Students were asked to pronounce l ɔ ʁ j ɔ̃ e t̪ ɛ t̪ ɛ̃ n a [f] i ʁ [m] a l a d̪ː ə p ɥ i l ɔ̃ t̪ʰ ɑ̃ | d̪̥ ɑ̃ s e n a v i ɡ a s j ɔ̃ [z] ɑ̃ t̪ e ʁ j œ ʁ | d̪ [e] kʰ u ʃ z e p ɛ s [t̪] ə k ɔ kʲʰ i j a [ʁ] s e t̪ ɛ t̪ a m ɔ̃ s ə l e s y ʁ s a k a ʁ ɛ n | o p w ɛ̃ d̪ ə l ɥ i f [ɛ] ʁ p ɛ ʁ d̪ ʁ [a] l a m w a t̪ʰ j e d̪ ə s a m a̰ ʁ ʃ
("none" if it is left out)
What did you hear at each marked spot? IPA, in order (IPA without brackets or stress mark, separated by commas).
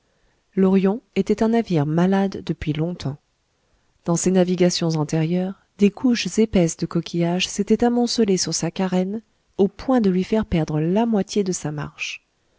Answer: v, m, z, e, d̪, ʒ, ɛ, ə